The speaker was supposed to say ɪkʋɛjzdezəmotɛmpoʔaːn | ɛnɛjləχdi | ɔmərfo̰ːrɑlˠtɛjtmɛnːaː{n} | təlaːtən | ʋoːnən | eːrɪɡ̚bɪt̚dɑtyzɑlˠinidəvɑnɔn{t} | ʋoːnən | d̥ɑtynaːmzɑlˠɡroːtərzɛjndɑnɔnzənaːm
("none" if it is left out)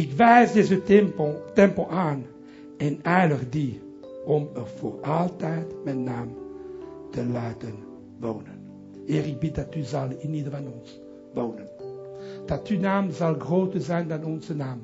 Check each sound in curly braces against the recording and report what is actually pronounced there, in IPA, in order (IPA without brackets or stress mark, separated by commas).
m, s